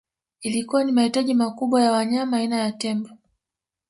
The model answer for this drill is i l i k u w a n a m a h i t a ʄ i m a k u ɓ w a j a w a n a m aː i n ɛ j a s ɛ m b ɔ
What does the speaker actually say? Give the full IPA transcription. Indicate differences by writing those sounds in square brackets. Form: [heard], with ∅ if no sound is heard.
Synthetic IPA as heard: i l i k u w a n [i] m a h i t a ʄ i m a k u ɓ w a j a w a [ɲ] a m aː i n [a] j a [t] ɛ m b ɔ